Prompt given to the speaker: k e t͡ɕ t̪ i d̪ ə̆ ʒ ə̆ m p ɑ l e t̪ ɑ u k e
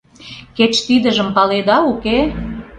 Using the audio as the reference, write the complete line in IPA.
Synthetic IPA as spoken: k e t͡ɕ t̪ i d̪ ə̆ ʒ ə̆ m p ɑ l e d̪ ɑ u k e